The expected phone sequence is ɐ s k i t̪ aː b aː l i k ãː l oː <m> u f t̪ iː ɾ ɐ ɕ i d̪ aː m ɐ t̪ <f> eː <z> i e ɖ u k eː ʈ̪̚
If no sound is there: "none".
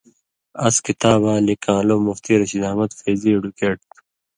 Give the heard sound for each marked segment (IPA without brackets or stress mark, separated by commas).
m, f, z